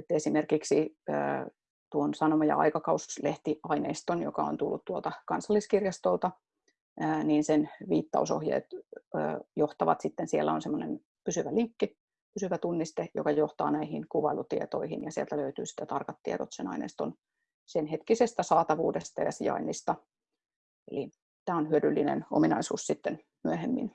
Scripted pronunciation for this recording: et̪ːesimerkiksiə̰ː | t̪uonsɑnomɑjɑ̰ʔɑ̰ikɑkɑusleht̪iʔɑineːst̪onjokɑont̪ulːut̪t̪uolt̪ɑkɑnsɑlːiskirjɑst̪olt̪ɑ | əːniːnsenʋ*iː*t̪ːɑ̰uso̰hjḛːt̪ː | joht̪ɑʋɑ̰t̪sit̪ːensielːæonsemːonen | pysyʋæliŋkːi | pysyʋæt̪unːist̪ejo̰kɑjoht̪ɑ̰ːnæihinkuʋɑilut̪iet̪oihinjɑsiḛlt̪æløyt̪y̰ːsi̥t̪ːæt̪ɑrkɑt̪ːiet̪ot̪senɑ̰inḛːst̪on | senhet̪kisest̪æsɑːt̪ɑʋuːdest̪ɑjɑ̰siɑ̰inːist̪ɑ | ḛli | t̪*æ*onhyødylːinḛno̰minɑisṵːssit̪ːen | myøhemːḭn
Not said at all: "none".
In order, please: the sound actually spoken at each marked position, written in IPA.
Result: iː, æː

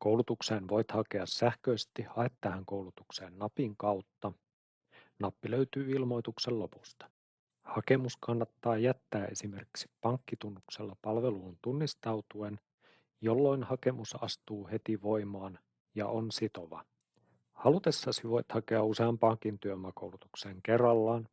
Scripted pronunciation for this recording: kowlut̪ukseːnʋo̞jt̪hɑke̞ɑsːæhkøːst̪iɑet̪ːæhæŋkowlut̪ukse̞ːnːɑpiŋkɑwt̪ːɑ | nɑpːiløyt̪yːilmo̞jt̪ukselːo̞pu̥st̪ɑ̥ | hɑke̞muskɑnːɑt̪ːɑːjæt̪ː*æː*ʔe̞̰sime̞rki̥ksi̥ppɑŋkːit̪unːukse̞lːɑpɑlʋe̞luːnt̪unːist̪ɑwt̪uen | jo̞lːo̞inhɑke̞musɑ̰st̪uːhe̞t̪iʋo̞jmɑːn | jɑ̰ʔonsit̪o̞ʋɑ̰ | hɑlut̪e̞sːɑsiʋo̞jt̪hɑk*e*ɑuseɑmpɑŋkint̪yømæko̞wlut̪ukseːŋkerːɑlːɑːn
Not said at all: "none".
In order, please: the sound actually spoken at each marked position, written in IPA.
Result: æː, e

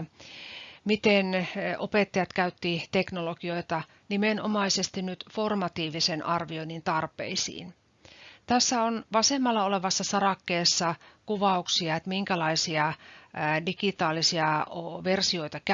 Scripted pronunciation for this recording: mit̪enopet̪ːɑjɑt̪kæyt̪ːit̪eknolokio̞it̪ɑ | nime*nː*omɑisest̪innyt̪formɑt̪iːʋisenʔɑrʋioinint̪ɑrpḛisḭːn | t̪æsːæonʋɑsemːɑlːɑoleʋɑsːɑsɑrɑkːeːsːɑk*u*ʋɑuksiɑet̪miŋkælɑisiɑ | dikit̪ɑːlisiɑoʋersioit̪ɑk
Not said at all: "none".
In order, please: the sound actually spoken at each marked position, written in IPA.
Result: n, u

